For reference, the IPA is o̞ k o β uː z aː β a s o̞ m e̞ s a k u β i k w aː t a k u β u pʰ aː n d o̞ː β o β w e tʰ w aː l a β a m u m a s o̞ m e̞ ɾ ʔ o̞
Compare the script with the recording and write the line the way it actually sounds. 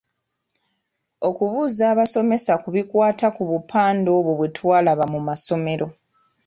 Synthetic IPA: o̞ k u β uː z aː β a s o̞ m e̞ s a k u β i k w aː t a k u β u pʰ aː n d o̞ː β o β w e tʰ w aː l a β a m u m a s o̞ m e̞ ɾ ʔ o̞